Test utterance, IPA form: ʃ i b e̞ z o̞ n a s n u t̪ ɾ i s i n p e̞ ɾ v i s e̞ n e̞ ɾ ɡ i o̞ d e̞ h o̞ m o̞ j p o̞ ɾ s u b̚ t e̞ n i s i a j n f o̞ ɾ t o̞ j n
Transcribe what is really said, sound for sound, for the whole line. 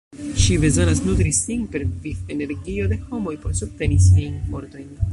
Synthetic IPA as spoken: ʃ i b e̞ z o̞ n a s n u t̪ ɾ i s i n p e̞ ɾ v i f e̞ n e̞ ɾ ɡ i o̞ d e̞ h o̞ m o̞ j p o̞ ɾ s u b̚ t e̞ n i s i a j n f o̞ ɾ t o̞ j n